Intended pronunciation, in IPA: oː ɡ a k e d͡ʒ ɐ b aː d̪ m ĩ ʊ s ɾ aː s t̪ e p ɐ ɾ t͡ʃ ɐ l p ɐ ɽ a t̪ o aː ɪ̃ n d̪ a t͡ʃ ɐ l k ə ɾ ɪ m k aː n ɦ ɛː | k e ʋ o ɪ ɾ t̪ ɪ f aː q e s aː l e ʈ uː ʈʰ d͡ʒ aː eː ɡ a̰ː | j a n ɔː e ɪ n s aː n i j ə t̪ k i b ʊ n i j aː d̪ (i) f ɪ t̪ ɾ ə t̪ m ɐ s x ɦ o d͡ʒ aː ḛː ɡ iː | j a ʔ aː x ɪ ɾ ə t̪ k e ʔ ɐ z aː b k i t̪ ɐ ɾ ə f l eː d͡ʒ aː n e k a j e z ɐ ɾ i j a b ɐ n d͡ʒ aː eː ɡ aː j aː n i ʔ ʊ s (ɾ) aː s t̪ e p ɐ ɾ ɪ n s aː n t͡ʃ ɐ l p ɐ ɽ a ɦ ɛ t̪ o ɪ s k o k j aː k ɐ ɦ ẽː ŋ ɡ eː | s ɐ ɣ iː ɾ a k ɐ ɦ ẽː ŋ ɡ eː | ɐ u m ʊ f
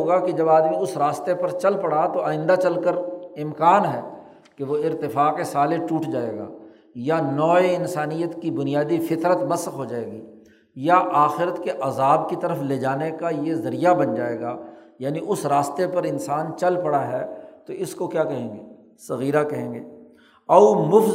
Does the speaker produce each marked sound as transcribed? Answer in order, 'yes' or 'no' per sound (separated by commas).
yes, yes